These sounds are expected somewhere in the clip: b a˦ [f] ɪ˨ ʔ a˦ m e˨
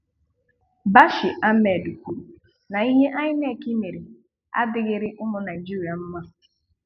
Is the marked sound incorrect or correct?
incorrect